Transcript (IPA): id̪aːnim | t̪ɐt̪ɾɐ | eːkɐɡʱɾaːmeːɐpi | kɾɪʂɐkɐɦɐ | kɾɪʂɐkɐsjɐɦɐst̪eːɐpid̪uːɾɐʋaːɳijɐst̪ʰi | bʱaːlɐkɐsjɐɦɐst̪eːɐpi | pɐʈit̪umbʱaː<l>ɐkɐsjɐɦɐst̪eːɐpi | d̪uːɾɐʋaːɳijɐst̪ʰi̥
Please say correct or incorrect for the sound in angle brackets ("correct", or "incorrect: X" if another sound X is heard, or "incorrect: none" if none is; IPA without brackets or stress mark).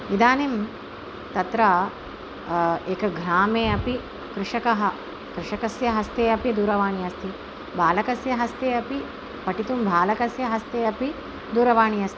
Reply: correct